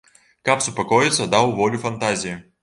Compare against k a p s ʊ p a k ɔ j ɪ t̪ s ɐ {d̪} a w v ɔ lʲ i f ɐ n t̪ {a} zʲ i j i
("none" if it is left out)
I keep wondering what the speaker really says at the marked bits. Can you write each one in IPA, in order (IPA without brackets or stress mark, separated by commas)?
d̪, a